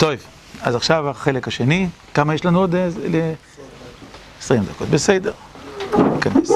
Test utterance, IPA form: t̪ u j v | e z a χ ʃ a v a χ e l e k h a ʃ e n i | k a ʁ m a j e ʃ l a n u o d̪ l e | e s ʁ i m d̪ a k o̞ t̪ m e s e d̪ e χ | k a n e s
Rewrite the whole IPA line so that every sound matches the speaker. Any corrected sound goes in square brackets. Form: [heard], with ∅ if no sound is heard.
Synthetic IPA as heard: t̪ [o] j v | [a] z a χ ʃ a v a χ e l e k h a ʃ e n i | k a [∅] m a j e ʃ l a n u o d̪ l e | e s ʁ i m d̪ a k o̞ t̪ [b] e s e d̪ e [ʁ] | k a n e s